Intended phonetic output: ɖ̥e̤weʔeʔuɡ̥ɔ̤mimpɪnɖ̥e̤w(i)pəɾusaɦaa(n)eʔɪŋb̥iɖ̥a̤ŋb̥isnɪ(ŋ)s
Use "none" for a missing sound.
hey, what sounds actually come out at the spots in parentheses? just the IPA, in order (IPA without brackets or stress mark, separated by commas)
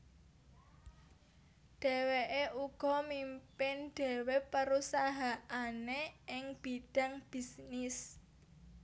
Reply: e, n, none